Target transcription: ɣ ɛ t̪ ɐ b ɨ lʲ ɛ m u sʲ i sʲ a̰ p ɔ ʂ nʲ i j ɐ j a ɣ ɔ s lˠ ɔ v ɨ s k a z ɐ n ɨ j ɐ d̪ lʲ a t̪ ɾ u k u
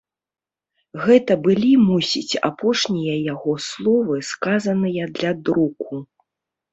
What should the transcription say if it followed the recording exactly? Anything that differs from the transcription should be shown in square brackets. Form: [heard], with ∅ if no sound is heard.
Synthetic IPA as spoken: ɣ ɛ t̪ ɐ b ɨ lʲ [i] m u sʲ i [t͡sʲ] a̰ p ɔ ʂ nʲ i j ɐ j a ɣ ɔ s lˠ ɔ v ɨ s k a z ɐ n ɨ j ɐ d̪ lʲ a [d̪] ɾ u k u